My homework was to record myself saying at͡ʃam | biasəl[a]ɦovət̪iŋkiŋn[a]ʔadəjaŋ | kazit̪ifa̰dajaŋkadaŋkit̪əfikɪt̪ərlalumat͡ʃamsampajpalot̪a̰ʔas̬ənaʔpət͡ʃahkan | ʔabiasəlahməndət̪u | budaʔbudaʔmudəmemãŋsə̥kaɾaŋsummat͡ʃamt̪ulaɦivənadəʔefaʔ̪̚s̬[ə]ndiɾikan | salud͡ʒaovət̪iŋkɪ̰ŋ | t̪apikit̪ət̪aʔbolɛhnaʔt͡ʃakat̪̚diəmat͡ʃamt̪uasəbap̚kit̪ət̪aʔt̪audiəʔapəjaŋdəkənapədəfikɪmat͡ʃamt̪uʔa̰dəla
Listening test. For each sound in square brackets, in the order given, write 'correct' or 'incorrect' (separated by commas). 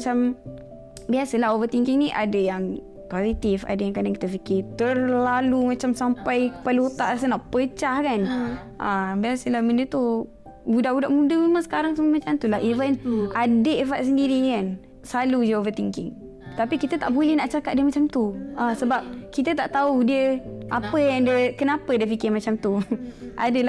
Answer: correct, incorrect, correct